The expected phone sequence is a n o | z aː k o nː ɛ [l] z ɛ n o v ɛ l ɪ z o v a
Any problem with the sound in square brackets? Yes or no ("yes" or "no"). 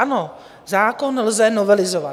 no